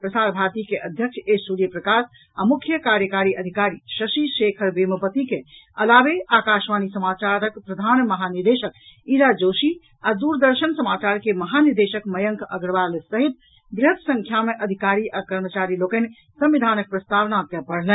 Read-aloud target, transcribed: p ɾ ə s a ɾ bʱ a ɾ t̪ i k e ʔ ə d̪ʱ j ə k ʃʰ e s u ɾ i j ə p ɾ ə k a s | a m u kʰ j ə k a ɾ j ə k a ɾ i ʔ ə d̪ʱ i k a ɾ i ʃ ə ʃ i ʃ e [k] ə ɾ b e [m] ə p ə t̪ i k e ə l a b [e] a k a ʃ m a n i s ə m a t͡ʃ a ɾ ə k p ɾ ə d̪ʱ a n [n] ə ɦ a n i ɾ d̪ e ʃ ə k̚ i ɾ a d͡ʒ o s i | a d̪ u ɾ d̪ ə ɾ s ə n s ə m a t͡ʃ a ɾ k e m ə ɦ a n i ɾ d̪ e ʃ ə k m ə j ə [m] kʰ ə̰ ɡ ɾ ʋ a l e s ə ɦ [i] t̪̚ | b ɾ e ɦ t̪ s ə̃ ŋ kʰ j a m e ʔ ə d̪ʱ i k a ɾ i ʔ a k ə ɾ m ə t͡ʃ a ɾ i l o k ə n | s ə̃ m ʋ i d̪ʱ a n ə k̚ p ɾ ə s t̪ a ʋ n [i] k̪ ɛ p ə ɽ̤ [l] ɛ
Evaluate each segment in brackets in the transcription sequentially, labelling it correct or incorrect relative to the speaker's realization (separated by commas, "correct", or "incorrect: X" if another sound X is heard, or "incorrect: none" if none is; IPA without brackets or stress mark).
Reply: incorrect: kʰ, correct, correct, incorrect: m, incorrect: ŋ, correct, incorrect: a, correct